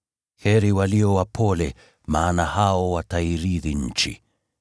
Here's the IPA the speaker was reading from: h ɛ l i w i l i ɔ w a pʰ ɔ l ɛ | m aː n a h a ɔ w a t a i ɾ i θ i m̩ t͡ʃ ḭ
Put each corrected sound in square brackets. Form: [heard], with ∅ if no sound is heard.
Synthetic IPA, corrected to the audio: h ɛ [ɾ] i w [a] l i ɔ w a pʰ ɔ l ɛ | m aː n a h a ɔ w a t a i ɾ i [ð] i [ɲ̩] t͡ʃ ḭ